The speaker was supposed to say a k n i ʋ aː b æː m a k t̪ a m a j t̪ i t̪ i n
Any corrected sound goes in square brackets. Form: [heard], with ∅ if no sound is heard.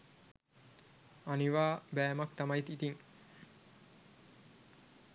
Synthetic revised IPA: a [∅] n i ʋ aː b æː m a k t̪ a m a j t̪ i t̪ i [ŋ]